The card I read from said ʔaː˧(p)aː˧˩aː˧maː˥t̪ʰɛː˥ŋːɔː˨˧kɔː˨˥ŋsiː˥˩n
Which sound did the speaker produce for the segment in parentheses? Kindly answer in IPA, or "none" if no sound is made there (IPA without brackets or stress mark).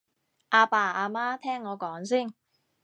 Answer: p